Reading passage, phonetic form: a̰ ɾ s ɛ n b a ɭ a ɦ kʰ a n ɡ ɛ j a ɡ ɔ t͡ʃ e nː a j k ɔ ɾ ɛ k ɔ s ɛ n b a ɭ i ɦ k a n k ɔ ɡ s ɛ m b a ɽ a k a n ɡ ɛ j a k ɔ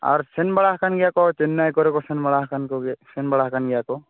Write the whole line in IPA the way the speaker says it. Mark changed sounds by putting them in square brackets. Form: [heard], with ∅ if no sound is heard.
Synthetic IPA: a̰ ɾ s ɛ n b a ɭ a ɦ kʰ a n ɡ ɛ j a [k] ɔ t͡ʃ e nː a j k ɔ ɾ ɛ k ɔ s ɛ n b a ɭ [a] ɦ k a n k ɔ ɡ s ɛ [n] b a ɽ a k a n ɡ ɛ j a k ɔ